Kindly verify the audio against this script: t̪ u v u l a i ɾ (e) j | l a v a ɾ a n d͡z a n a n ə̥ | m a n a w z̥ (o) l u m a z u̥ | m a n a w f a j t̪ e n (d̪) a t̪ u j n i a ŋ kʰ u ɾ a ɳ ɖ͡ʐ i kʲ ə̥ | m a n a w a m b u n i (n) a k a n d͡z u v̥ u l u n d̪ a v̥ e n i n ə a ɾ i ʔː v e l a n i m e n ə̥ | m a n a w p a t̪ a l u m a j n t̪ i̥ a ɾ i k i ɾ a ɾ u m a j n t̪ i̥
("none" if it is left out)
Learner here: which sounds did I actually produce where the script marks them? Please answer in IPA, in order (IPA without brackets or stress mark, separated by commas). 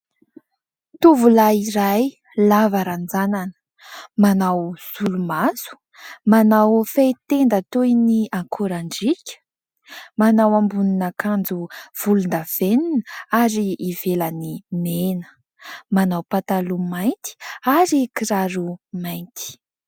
a, u, d̪, n